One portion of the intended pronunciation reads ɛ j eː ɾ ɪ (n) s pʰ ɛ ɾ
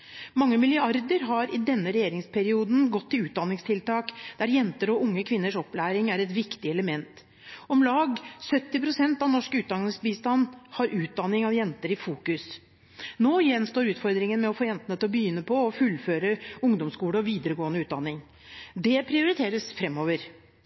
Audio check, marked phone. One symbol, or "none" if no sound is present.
ŋ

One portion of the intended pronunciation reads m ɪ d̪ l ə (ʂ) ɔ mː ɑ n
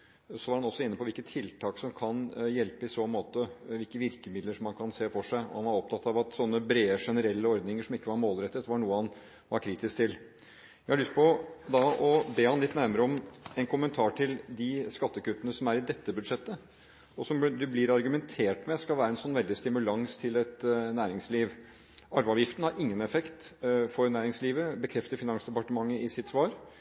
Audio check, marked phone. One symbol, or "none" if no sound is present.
ʂ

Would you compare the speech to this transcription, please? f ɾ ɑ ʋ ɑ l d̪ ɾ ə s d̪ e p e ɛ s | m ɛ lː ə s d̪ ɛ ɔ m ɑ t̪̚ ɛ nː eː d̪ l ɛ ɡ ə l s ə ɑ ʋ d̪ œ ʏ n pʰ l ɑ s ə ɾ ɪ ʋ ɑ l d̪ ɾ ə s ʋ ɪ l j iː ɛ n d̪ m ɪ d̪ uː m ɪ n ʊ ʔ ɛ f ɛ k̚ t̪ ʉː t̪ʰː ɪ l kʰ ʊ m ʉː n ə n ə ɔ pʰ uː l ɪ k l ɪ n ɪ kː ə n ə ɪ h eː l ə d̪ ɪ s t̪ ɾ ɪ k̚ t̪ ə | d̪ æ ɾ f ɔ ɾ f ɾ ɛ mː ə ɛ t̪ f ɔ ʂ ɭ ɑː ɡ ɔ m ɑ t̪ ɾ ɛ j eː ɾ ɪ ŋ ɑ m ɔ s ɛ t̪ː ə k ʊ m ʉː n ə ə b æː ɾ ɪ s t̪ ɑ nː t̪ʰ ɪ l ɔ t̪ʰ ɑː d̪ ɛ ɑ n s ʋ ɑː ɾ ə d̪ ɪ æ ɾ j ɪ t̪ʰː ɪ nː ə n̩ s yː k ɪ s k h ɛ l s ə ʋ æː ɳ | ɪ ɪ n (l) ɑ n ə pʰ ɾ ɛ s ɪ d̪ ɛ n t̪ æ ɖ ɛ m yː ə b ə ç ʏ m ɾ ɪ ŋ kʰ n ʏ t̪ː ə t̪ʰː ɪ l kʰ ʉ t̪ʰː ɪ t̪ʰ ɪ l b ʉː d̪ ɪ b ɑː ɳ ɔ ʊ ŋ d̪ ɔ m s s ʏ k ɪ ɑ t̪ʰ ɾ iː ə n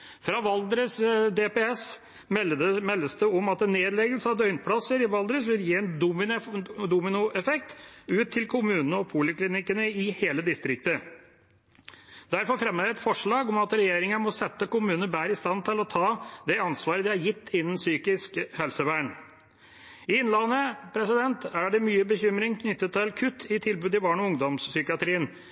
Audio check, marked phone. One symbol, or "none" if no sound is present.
l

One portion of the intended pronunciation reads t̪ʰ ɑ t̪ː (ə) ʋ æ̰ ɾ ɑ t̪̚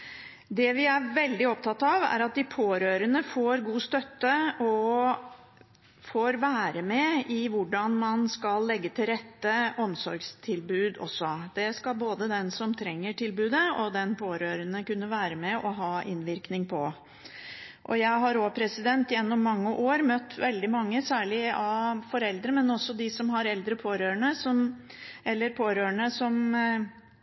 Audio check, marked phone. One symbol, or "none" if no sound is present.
ɑ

